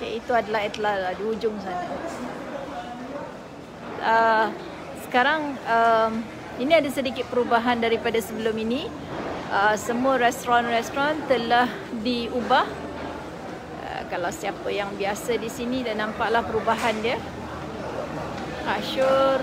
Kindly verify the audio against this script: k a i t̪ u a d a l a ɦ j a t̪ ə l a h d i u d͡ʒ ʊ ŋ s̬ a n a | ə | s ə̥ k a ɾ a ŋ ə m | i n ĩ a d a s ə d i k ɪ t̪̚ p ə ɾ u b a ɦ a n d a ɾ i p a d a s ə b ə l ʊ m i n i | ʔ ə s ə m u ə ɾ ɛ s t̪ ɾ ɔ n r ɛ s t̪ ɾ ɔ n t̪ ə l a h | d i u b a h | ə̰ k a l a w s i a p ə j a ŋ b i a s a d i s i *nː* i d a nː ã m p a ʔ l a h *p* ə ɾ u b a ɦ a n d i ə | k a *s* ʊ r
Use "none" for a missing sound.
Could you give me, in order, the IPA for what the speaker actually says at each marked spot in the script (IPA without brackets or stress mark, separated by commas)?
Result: n, p, ʃ